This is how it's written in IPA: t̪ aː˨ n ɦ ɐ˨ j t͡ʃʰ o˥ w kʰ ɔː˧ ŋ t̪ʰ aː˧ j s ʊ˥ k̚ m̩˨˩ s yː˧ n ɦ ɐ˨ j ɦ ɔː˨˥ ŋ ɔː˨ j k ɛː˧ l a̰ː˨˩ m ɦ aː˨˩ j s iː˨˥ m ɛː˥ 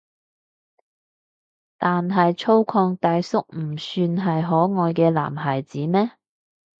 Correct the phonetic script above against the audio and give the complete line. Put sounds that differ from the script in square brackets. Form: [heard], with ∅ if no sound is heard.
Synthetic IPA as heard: t̪ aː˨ n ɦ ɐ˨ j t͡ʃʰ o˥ w kʰ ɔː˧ ŋ [t̪] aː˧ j s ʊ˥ k̚ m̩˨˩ s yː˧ n ɦ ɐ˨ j ɦ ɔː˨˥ ŋ ɔː˨ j k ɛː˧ l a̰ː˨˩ m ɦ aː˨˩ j [t͡s] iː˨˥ m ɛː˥